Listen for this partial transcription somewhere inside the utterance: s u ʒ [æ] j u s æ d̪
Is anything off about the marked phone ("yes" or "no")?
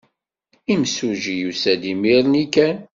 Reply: yes